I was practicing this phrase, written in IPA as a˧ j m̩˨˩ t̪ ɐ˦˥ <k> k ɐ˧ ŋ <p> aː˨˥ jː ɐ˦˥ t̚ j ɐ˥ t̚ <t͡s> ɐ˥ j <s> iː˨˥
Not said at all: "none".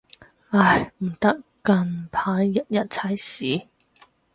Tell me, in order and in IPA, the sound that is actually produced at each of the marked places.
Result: k, pʰ, t͡sʰ, s

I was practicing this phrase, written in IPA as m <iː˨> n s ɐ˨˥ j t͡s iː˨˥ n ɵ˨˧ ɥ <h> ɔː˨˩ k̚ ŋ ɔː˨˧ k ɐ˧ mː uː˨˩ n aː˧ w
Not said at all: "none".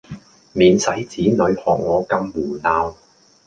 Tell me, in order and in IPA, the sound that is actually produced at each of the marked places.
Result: iː˨, h

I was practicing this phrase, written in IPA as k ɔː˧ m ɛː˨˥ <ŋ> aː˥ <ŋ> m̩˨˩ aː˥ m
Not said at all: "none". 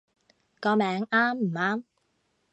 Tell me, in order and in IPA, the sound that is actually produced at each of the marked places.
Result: ŋ, m

